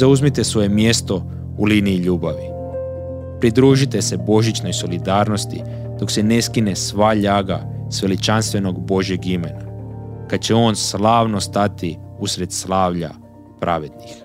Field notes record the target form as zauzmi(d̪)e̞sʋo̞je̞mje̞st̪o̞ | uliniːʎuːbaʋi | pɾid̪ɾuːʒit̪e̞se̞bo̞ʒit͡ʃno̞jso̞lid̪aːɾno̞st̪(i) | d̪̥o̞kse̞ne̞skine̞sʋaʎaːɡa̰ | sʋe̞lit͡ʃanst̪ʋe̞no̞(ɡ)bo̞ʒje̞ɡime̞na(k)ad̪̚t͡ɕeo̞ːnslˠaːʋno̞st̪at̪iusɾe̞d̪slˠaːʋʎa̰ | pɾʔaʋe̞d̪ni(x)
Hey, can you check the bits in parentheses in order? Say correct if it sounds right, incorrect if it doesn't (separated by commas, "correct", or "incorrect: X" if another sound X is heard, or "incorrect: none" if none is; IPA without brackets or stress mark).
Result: incorrect: t̪, correct, correct, correct, correct